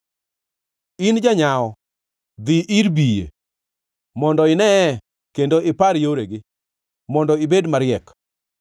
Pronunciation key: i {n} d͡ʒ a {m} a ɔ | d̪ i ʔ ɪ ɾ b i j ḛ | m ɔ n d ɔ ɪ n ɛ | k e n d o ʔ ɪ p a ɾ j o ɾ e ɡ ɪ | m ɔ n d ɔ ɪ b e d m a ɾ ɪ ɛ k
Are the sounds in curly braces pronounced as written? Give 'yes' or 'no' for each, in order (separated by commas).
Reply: yes, no